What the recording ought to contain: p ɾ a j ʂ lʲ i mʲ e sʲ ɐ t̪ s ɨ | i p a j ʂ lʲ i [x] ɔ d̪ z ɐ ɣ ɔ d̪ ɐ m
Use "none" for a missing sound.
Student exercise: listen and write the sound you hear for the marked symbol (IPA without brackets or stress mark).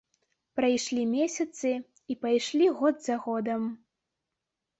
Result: ɣ